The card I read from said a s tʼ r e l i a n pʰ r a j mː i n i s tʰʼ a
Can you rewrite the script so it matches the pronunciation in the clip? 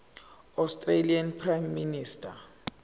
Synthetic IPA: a s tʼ r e l i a n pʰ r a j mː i n i s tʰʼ a

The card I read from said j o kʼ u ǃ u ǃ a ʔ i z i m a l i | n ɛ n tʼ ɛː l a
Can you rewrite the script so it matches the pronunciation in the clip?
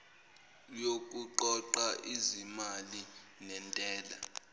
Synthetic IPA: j o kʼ u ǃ ɔ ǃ a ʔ i z i m a l i | n ɛ n tʼ ɛː l a

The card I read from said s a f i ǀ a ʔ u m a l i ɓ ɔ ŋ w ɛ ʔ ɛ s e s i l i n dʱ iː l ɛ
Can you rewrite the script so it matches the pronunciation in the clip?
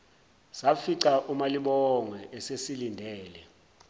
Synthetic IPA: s a f i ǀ a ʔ u m a l i ɓ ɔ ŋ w ɛ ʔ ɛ s e s i l i n dʱ ɛː l ɛ

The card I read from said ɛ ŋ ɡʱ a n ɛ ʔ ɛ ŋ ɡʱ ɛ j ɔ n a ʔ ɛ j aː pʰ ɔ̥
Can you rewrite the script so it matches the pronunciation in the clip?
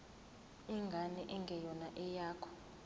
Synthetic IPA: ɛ ŋ ɡʱ a n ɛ ʔ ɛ ŋ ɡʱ ɛ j ɔ n a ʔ ɛ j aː kʰ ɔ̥

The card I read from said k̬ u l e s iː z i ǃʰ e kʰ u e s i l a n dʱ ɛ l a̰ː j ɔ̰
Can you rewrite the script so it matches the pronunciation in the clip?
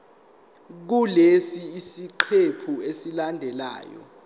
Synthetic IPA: k̬ u l e s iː s i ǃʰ e pʰ u e s i l a n dʱ ɛ l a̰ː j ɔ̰

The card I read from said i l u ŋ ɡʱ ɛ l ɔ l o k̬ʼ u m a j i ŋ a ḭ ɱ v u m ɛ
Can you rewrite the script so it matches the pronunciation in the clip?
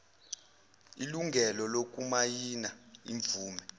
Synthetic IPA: i l u ŋ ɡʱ ɛ l ɔ l o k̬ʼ u m a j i n a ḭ ɱ v uː m ɛ

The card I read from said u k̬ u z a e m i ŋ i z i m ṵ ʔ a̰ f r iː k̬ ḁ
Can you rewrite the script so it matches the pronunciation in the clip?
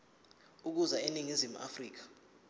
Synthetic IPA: u k̬ u z a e n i ŋ i z i m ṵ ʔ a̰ f r iː k̬ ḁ

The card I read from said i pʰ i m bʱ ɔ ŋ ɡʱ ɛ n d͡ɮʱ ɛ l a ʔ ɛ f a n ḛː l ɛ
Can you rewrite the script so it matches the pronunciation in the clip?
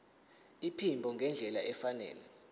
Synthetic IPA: i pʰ i m bʱ ɔ ŋ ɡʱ ɛ n d͡ɮʱ ɛ l a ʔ ɛ f a n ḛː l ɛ

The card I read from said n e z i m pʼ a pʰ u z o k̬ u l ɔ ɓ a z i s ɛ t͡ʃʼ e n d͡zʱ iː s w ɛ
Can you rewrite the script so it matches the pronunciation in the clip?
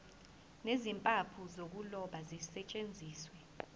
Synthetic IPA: n e z i m pʼ a pʰ u z o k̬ u l ɔ ɓ a z i s ɛ t͡ʃʼ e n d͡zʱ iː s w ɛ

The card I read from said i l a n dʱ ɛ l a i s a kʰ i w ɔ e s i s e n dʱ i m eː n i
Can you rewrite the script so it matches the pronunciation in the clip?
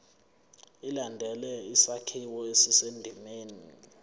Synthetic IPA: i l a n dʱ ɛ l ɛ i s a kʰ i w ɔ e s i s e n dʱ i m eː n i

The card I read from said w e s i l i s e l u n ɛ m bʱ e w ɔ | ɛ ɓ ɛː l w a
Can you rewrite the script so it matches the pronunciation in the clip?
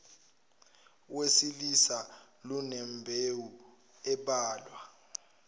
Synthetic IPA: w e s i l i s a l u n ɛ m bʱ e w u | ɛ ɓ aː l w a

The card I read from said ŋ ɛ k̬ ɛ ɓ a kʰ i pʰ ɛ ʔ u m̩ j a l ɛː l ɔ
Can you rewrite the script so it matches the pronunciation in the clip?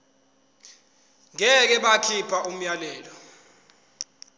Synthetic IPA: ŋ ɛ k̬ ɛ ɓ a kʰ i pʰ a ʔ u m̩ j a l ɛː l ɔ

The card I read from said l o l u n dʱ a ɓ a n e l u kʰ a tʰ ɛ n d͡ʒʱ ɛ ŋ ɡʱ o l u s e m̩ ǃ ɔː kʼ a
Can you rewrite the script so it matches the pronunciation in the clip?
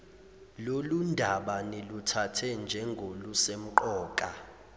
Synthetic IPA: l o l u n dʱ a ɓ a n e l u tʰ a tʰ ɛ n d͡ʒʱ ɛ ŋ ɡʱ o l u s e m̩ ǃ ɔː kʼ a

